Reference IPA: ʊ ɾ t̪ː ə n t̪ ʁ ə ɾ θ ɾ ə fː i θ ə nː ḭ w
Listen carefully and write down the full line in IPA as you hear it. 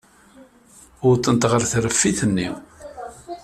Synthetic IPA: ʊ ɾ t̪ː ə n t̪ ʁ ə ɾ θ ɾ ə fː i θ ə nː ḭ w